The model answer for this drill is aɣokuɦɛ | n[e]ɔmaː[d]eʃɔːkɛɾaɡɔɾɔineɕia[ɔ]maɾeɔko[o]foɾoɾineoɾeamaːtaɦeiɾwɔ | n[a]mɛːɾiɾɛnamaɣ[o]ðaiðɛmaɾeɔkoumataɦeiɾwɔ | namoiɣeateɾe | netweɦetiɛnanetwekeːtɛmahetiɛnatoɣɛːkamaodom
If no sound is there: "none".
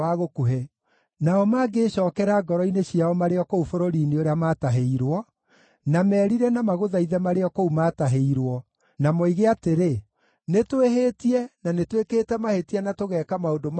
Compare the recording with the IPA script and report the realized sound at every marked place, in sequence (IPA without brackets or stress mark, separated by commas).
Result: a, ɡ, ɔ, u, a, o